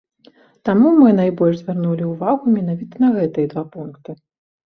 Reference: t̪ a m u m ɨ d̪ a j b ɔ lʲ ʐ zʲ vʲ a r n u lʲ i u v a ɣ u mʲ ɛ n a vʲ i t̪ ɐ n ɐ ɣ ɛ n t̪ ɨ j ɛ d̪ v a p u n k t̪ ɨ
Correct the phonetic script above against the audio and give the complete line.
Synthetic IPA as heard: t̪ a m u m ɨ n̪ a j b ɔ lʲ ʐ zʲ vʲ a r n u lʲ i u v a ɣ u mʲ ɛ n a vʲ i t̪ ɐ n ɐ ɣ ɛ t̪ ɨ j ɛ d̪ v a p u n k t̪ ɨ